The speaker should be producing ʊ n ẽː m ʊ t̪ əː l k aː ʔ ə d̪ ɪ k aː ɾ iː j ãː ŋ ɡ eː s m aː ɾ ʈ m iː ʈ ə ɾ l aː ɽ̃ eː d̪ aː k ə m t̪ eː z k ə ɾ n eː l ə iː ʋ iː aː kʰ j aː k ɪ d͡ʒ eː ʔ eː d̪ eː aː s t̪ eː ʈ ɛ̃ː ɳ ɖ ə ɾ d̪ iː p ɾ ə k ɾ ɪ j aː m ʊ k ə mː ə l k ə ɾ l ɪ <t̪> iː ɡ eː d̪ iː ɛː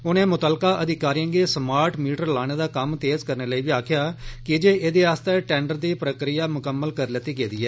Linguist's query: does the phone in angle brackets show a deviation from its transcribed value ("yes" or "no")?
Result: no